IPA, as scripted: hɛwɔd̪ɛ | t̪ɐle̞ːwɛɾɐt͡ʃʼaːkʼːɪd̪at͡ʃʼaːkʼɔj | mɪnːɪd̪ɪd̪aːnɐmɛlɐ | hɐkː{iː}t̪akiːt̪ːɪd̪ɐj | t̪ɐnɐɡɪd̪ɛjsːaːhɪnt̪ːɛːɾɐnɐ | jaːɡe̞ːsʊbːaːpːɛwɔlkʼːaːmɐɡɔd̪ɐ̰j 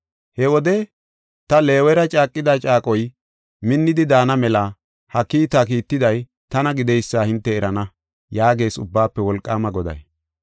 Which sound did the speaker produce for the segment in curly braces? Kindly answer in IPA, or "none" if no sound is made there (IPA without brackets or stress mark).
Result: iː